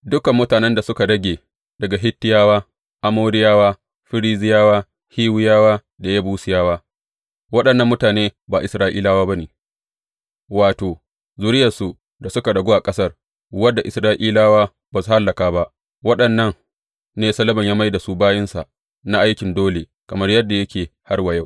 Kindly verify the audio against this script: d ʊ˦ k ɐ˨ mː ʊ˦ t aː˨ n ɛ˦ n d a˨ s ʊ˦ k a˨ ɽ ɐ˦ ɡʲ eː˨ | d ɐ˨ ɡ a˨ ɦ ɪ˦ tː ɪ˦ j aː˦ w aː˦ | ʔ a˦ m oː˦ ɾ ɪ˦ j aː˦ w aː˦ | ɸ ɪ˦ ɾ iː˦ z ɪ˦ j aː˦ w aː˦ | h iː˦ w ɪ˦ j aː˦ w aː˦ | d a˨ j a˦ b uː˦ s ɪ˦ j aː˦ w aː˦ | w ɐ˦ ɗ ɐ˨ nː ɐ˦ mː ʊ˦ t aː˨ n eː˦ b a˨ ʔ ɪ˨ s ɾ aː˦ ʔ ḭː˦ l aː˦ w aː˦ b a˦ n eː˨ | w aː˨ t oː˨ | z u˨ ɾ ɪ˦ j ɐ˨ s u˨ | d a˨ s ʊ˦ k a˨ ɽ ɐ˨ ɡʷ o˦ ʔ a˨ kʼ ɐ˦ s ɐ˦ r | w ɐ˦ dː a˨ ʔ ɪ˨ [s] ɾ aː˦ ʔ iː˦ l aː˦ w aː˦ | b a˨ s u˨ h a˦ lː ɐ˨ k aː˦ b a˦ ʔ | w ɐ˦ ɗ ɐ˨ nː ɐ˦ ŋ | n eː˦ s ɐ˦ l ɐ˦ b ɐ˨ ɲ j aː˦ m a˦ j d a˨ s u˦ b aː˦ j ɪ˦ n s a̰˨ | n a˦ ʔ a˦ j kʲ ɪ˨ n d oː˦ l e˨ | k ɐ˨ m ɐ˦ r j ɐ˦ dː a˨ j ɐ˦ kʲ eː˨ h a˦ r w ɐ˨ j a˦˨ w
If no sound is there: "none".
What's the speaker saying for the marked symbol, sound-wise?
s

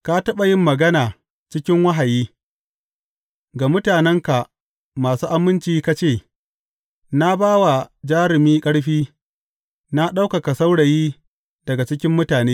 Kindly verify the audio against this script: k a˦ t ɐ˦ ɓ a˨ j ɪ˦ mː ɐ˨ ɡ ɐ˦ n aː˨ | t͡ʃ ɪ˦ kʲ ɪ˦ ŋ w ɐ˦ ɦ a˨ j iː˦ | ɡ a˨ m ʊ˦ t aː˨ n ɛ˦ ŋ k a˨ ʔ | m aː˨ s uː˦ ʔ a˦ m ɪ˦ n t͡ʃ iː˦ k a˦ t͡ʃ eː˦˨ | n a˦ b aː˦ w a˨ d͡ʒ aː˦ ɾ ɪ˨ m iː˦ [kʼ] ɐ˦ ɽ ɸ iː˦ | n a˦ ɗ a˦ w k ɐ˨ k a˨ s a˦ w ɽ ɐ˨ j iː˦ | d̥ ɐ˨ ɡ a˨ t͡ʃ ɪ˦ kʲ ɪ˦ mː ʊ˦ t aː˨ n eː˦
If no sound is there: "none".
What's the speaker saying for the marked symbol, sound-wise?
kʼ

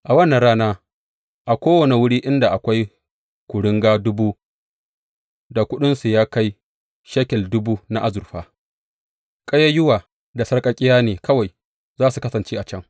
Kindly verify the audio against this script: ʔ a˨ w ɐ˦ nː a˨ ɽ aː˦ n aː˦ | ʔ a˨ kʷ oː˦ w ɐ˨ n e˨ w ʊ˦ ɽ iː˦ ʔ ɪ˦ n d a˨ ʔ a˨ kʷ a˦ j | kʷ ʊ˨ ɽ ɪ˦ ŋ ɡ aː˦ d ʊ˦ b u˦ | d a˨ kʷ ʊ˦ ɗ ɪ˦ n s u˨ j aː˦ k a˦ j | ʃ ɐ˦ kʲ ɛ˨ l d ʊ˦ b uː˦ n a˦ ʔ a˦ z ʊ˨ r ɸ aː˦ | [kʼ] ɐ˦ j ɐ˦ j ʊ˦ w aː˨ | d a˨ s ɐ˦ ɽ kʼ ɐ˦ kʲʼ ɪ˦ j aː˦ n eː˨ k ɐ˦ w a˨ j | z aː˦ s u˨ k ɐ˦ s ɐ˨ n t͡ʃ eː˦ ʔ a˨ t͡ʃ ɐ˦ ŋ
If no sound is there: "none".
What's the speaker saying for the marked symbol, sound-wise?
kʼ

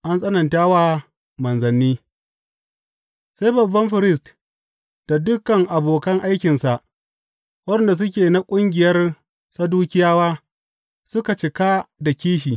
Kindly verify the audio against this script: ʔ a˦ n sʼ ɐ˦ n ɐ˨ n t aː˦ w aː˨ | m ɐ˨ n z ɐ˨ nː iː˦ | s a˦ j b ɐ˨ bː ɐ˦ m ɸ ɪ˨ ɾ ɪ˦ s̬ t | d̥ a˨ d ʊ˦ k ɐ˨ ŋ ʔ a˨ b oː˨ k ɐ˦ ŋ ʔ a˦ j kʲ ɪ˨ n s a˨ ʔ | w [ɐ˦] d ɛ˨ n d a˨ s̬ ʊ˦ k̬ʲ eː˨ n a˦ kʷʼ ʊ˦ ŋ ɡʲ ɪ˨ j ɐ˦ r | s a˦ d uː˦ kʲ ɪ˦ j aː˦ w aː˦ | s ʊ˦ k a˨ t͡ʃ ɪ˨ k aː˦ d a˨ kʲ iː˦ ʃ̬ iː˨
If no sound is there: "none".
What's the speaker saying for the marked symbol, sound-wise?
ɐ˦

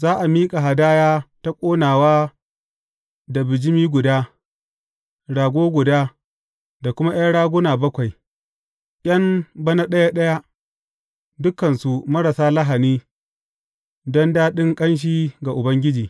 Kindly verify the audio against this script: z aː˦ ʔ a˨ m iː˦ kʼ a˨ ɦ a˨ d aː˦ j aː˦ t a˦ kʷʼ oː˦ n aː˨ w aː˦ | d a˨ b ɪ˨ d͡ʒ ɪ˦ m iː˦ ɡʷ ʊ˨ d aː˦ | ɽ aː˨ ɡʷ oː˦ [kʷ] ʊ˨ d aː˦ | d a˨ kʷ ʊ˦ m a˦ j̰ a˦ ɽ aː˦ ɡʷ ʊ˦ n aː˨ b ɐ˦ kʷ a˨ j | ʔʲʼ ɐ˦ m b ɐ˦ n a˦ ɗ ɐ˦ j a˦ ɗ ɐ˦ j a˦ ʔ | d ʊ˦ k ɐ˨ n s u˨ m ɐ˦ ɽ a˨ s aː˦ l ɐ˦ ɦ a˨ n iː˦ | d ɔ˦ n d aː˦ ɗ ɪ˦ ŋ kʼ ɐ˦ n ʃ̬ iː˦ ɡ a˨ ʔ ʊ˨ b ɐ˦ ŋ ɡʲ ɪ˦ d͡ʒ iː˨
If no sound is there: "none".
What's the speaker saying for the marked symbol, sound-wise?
ɡʷ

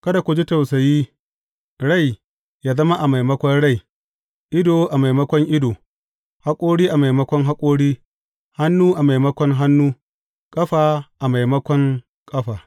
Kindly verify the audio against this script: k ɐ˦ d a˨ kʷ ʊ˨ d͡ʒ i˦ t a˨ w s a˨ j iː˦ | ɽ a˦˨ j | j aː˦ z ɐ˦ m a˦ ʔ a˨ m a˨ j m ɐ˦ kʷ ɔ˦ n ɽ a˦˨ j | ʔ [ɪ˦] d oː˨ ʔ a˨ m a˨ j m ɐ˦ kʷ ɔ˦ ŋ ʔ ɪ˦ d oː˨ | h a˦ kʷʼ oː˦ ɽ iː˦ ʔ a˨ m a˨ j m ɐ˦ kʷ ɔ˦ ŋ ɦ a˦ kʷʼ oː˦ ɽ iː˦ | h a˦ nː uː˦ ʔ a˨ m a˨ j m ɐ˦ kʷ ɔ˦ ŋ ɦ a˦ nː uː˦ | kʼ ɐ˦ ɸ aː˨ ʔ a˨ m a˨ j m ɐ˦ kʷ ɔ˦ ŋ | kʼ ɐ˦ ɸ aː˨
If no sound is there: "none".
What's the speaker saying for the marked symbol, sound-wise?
ɪ˦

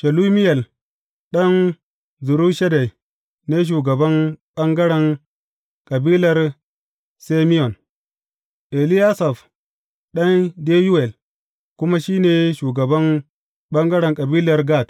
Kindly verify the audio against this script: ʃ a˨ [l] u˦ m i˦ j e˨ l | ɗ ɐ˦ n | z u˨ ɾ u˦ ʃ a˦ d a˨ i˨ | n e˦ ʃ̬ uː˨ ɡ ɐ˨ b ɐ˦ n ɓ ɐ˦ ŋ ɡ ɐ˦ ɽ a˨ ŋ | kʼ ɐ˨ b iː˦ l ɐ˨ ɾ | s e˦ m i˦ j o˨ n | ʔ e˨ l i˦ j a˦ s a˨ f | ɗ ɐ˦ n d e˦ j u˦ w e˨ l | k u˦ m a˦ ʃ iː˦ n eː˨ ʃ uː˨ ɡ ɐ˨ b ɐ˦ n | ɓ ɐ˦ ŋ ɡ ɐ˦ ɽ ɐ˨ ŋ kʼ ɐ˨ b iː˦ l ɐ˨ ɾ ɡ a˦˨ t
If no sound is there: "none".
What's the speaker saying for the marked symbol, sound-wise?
l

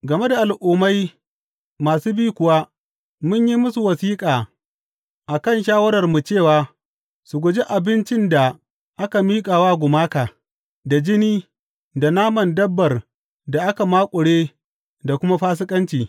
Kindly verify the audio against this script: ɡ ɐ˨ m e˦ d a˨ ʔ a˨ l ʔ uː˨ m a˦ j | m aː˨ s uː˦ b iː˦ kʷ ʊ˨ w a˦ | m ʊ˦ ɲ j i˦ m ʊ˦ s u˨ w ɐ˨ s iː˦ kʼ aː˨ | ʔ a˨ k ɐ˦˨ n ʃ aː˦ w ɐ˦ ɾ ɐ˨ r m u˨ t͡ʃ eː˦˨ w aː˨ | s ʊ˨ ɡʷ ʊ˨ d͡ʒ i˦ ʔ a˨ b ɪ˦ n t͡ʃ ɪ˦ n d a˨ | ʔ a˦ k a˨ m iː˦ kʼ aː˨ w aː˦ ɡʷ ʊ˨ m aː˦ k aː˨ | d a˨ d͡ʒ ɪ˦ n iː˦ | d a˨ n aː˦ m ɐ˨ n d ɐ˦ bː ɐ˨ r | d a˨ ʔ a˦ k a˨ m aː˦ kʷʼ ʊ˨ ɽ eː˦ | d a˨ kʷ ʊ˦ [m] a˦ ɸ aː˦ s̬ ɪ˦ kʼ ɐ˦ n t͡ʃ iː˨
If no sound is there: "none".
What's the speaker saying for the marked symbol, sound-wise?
m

